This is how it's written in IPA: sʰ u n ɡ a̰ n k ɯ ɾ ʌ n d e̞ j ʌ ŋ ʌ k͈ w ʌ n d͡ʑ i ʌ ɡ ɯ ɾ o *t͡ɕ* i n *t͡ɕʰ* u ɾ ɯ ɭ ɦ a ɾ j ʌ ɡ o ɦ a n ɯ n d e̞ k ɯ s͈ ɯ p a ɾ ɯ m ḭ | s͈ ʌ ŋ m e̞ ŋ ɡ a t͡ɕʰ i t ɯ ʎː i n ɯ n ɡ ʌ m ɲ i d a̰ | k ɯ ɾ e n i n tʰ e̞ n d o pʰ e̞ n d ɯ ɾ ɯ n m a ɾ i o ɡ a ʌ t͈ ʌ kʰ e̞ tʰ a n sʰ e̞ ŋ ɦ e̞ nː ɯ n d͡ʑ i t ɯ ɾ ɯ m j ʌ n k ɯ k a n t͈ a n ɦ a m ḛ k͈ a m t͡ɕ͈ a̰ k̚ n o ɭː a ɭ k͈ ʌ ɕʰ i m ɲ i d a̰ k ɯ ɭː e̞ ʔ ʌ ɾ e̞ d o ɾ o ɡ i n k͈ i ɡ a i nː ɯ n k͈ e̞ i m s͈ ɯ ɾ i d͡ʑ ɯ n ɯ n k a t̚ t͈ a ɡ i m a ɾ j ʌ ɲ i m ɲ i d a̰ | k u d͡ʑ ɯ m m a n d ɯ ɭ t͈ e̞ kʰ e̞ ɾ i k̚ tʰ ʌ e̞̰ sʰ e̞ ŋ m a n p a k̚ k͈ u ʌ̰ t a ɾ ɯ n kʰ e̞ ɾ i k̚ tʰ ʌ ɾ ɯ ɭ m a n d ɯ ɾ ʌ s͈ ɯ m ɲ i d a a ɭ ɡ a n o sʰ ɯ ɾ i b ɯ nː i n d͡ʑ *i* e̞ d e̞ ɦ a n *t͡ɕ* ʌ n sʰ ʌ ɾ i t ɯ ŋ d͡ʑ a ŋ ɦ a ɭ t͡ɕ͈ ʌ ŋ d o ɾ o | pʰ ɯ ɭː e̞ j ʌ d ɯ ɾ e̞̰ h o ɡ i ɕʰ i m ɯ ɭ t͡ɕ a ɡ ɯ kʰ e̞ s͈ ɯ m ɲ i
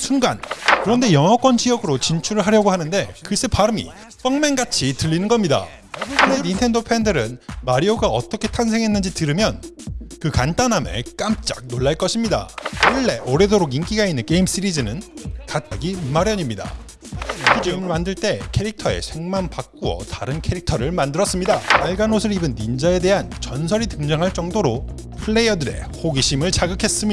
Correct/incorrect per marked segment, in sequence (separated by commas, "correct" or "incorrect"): correct, correct, incorrect, correct